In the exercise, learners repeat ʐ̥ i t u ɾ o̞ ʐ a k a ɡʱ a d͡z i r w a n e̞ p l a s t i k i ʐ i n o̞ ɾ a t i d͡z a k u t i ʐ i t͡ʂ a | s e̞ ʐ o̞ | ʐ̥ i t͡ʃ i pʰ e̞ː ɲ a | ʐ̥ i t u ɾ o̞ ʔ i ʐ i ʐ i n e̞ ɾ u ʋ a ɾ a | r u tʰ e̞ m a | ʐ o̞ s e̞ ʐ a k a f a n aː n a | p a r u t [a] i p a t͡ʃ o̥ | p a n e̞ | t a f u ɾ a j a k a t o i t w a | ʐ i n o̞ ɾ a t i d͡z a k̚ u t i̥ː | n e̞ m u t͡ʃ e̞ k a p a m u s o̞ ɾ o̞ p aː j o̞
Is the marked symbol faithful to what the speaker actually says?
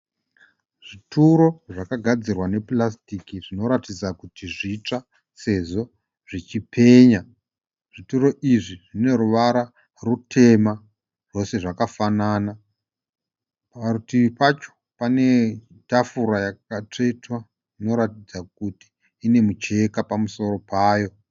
no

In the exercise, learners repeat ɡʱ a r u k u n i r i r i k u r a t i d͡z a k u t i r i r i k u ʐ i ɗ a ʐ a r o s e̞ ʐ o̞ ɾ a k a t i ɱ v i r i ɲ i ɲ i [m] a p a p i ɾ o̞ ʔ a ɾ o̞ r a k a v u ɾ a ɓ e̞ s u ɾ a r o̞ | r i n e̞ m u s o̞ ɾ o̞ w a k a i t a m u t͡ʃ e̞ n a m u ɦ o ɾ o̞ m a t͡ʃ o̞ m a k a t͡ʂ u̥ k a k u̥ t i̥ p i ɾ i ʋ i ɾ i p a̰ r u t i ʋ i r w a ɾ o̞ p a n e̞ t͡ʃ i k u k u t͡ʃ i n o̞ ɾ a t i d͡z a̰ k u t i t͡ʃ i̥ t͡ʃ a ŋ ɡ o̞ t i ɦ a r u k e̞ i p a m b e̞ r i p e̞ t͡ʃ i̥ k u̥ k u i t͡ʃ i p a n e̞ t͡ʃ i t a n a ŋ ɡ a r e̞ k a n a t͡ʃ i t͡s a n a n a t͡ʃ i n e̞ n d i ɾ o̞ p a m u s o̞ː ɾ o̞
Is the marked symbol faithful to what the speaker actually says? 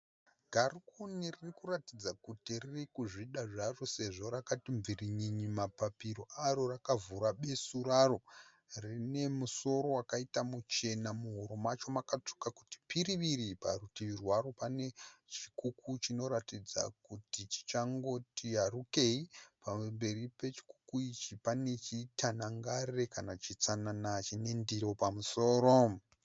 yes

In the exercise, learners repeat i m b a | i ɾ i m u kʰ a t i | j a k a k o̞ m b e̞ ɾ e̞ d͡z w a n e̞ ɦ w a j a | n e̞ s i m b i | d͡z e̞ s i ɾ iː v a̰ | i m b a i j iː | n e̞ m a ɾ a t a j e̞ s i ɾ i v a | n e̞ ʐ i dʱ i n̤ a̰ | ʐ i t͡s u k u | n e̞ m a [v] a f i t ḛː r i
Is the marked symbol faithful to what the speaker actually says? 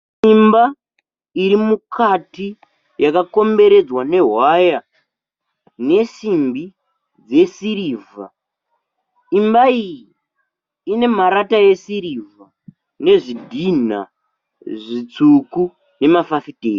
no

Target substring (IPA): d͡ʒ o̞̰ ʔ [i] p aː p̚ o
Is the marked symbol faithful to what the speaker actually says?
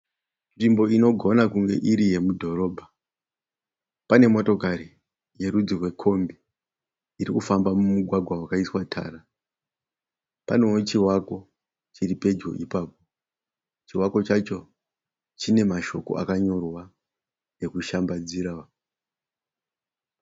yes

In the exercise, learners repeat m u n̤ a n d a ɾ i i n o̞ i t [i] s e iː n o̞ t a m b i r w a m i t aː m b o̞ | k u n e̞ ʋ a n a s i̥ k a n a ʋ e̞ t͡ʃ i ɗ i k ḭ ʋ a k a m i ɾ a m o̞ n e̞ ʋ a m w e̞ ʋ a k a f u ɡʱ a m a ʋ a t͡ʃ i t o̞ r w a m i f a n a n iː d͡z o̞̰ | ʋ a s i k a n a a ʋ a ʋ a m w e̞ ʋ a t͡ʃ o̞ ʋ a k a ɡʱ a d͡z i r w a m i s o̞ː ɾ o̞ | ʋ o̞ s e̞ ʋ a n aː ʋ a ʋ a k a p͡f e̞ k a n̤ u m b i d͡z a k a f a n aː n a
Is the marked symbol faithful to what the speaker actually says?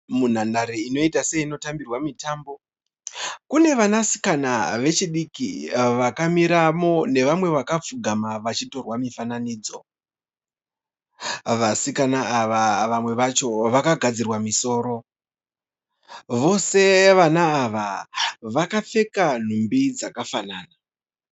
no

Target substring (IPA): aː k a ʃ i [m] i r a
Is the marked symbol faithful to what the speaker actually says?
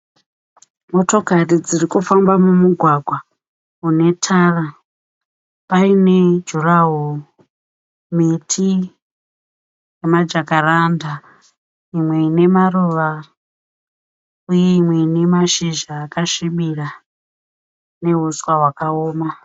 yes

